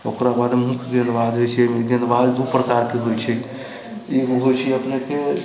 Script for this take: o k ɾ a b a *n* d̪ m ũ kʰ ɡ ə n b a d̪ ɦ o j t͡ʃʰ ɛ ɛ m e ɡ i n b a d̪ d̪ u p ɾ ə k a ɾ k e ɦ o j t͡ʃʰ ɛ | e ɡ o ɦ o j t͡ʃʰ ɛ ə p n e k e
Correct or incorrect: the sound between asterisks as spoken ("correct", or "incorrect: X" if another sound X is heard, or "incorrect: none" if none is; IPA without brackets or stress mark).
incorrect: none